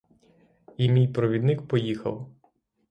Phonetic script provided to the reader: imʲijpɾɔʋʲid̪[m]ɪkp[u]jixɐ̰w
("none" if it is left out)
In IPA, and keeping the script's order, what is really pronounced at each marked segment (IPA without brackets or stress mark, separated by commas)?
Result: n, ɔ